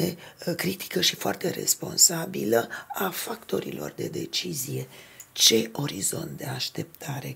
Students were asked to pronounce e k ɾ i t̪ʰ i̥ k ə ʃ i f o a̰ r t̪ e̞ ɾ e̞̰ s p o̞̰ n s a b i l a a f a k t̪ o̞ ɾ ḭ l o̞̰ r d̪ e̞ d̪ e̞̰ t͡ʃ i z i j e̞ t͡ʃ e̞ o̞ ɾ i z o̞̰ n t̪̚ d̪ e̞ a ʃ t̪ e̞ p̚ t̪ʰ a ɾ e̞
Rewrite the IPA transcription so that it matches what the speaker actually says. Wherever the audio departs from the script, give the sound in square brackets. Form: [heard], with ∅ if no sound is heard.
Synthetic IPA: e k ɾ i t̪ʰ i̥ k ə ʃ i f o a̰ r t̪ e̞ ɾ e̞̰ s p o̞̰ n s a b i l [ə] a f a k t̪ o̞ ɾ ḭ l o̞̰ r d̪ e̞ d̪ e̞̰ t͡ʃ i z i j e̞ t͡ʃ e̞ o̞ ɾ i z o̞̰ n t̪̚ d̪ e̞ a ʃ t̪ e̞ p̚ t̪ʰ a ɾ e̞